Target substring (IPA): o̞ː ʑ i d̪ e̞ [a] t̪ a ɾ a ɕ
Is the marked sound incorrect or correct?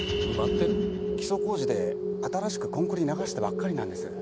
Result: correct